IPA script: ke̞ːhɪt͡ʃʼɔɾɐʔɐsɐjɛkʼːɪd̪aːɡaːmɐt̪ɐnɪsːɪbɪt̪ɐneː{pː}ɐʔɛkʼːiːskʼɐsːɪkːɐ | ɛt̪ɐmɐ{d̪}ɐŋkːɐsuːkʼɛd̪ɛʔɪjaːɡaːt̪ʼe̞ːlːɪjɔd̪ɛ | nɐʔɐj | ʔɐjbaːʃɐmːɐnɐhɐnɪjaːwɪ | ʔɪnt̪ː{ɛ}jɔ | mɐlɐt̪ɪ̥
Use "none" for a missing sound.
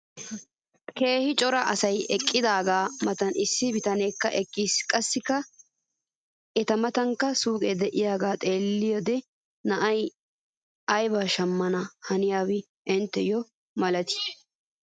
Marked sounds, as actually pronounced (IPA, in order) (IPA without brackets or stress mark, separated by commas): kː, t̪, ɛ